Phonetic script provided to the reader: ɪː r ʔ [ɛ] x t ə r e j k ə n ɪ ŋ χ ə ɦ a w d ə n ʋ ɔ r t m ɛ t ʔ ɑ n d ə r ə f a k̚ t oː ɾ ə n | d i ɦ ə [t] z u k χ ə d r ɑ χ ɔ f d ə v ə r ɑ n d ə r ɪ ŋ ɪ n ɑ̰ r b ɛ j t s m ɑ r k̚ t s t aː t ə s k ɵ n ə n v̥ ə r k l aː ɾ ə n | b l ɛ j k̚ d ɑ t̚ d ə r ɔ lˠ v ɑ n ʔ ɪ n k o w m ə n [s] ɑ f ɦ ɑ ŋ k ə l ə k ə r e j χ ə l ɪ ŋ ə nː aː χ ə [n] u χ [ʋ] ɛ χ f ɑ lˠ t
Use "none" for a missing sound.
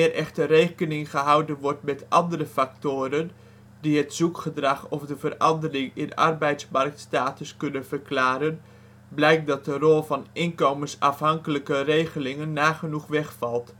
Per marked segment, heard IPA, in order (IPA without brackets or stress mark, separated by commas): ɛ, t, s, n, ʋ